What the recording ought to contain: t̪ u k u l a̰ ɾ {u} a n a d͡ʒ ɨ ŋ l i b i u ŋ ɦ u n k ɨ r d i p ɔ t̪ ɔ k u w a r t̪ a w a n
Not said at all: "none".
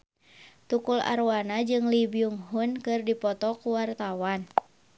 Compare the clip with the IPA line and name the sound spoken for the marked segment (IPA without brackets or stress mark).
w